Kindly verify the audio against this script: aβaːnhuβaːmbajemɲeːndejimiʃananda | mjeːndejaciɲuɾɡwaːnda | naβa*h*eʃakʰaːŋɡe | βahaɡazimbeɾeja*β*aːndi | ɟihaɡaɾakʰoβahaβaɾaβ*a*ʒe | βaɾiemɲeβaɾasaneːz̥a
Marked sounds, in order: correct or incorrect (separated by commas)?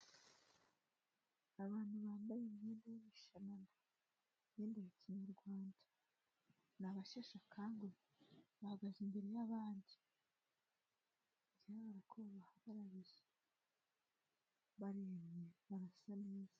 incorrect, correct, incorrect